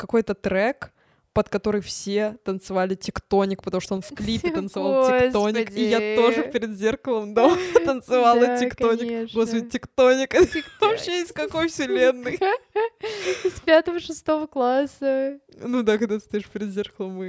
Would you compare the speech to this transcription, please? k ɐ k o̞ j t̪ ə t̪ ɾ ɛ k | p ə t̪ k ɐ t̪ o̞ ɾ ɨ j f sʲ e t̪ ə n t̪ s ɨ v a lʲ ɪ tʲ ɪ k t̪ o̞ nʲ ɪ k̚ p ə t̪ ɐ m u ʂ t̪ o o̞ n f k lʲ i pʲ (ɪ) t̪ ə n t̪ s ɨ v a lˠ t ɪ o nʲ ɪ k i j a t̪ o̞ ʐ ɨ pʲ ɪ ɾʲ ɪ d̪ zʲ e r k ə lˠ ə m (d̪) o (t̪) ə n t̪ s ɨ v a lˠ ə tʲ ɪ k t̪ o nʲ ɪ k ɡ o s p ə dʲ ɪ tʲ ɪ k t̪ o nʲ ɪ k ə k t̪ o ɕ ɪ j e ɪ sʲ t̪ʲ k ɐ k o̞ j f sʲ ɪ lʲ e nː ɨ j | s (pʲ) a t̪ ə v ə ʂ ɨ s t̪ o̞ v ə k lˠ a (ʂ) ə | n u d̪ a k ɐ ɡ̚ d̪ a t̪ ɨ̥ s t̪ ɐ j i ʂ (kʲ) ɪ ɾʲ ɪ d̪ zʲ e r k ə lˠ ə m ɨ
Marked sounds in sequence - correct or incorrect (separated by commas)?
correct, correct, correct, correct, incorrect, incorrect